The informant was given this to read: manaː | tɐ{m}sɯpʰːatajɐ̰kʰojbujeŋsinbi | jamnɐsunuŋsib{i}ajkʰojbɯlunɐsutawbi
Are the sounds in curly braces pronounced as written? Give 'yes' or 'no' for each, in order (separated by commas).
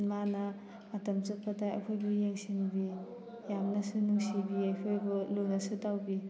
yes, yes